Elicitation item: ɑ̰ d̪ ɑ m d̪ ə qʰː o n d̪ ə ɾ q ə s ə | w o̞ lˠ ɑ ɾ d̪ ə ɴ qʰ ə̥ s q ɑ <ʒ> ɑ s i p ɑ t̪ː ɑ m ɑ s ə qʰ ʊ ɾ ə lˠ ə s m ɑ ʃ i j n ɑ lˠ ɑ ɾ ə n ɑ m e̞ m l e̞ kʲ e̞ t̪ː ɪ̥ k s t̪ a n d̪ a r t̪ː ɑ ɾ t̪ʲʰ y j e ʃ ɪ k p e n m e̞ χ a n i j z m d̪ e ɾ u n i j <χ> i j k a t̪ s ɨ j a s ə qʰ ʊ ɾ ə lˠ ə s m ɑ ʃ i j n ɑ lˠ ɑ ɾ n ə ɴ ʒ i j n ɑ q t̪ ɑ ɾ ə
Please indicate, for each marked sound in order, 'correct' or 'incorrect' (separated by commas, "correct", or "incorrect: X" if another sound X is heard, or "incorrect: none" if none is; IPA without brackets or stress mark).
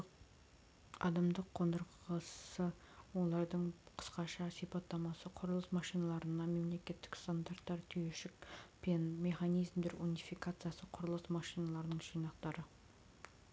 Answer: incorrect: ʃ, incorrect: f